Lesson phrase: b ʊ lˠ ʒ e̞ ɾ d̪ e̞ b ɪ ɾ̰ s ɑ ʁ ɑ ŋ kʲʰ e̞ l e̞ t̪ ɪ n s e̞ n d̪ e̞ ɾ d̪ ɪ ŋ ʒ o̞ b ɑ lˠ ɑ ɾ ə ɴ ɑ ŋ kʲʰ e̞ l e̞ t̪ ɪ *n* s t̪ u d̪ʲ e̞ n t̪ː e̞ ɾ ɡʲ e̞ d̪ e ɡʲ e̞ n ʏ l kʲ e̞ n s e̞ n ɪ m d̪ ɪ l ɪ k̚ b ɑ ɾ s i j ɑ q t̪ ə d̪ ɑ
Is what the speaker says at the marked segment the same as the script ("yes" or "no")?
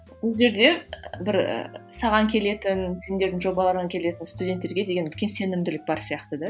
yes